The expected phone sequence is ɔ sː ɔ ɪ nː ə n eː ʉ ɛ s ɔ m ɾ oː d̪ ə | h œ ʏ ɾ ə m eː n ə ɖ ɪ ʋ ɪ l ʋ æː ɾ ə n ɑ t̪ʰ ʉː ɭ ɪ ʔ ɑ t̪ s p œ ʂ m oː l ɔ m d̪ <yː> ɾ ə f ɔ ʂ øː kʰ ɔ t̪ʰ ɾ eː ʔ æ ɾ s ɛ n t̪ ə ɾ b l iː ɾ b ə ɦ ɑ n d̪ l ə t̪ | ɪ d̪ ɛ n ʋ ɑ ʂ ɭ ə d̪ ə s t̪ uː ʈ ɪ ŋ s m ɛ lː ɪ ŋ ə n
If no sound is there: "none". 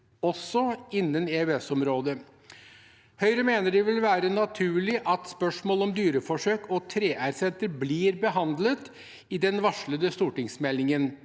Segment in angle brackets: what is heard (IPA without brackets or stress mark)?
yː